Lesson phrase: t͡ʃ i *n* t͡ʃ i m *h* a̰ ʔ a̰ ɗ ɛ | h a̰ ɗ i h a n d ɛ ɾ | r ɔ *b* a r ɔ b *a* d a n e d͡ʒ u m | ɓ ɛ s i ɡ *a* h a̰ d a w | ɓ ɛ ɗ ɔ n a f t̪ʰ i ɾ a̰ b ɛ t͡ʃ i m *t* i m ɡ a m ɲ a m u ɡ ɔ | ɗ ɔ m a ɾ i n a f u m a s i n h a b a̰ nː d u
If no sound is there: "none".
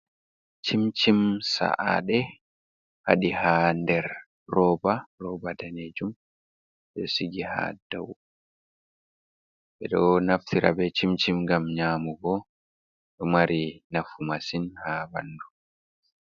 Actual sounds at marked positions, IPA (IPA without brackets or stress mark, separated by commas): m, s, b, a, i, t͡ʃ